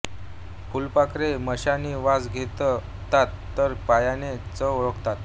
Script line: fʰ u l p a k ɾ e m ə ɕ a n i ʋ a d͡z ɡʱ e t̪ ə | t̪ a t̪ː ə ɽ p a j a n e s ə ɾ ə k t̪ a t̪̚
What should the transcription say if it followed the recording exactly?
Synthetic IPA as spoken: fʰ u l p a k ɾ e m ə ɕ a n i ʋ a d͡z ɡʱ e t̪ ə | t̪ a t̪ː ə ɾ p a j a n e t͡s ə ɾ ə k t̪ a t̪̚